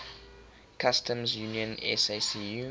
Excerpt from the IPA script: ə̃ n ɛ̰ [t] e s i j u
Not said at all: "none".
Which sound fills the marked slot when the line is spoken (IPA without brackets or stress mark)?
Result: s